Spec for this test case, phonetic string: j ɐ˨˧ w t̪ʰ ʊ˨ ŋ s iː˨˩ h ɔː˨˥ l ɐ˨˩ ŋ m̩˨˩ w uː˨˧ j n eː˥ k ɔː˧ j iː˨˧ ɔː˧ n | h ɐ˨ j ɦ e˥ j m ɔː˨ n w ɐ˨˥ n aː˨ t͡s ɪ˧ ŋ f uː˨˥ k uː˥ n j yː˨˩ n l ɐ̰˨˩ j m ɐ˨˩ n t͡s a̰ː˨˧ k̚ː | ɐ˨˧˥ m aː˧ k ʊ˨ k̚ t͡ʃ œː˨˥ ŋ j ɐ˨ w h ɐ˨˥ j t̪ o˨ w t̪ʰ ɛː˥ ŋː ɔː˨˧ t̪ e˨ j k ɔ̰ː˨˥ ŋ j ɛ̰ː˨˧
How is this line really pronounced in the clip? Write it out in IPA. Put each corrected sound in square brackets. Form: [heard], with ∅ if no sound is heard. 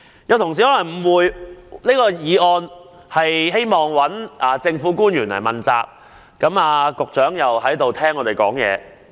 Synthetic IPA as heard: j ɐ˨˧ w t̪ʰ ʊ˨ ŋ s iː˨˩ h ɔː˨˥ l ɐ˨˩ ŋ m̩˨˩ w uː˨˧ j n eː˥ k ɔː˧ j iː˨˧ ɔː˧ n | h ɐ˨ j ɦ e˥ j m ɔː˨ [ŋ] w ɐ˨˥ n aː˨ t͡s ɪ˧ ŋ f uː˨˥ k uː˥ n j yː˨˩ n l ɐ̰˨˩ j m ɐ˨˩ n t͡s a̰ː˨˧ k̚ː | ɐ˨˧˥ m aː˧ k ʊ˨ k̚ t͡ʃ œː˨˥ ŋ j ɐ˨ w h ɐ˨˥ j t̪ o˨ w t̪ʰ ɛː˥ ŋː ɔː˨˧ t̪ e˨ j k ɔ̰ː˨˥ ŋ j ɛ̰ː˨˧